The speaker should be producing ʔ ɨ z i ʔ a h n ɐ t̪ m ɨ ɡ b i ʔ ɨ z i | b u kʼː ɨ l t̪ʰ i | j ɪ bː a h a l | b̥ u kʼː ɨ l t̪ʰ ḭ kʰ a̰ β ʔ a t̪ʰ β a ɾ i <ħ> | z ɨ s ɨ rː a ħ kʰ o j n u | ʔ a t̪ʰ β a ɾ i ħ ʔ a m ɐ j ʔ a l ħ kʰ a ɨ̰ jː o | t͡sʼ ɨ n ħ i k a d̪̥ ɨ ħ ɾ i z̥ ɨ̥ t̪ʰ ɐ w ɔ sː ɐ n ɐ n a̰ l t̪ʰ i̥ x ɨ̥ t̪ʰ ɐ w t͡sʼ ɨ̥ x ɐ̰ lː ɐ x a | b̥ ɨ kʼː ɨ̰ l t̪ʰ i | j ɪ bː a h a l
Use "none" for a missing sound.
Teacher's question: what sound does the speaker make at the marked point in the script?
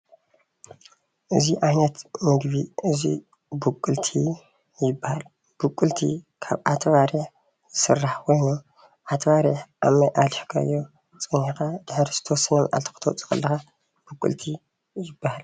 ħ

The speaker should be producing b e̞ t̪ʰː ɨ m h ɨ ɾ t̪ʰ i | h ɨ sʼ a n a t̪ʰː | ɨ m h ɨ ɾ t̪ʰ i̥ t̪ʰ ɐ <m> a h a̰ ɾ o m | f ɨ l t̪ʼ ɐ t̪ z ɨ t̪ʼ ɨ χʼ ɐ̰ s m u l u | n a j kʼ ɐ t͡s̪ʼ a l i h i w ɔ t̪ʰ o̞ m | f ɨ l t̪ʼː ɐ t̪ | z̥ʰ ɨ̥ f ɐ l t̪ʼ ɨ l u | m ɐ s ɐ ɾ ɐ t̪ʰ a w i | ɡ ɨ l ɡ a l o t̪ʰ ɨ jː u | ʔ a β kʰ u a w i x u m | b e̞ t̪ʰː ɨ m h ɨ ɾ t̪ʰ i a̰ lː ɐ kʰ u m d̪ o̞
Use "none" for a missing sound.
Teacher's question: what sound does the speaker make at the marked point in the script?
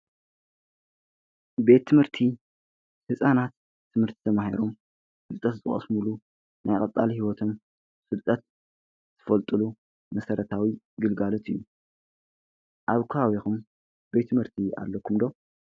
m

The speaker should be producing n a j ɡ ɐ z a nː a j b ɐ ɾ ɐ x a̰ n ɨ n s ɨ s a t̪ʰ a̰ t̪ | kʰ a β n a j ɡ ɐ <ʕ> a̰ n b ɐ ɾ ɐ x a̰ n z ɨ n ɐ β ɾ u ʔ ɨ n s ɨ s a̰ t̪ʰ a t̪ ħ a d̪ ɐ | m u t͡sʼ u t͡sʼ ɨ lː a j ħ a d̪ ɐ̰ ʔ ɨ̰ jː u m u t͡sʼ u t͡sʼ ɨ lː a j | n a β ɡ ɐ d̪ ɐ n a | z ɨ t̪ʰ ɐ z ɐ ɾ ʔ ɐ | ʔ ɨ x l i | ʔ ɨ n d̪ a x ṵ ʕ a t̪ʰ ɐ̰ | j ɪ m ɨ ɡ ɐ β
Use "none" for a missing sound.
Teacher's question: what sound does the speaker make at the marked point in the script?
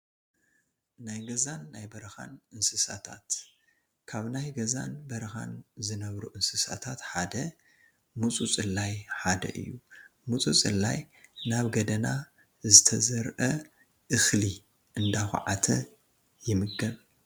z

